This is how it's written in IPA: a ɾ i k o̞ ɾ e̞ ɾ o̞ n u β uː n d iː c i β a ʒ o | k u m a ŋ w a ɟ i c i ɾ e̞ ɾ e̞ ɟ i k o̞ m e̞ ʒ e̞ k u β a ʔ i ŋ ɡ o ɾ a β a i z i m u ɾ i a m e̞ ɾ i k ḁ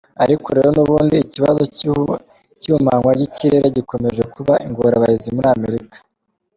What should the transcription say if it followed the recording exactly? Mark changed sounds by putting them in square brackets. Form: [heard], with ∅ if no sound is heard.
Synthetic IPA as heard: a ɾ i k o̞ ɾ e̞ ɾ o̞ n u β uː n d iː c i β a [z] o | [c] u m a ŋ w a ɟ i c i ɾ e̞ ɾ e̞ ɟ i k o̞ m e̞ ʒ e̞ k u β a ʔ i ŋ ɡ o ɾ a β a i z i m u ɾ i a m e̞ ɾ i k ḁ